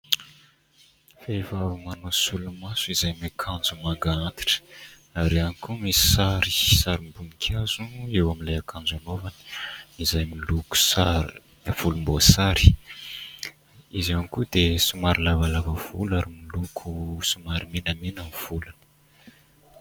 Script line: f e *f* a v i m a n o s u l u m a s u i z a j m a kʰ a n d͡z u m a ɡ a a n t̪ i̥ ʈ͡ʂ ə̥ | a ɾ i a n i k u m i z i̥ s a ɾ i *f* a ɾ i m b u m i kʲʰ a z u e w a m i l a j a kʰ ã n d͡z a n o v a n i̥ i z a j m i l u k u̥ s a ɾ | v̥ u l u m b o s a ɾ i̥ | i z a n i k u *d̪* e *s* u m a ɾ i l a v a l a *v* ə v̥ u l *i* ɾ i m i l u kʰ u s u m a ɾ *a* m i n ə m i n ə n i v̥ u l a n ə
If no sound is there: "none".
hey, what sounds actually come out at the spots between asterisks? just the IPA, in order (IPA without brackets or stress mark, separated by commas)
v, s, d̪, s, v, a, i